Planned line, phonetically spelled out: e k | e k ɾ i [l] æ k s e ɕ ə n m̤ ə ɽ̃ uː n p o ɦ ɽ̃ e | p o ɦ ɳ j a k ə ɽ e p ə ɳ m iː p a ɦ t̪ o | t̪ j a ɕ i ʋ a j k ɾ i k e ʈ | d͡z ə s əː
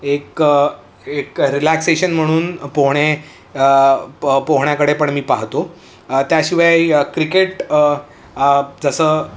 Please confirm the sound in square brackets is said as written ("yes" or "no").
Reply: yes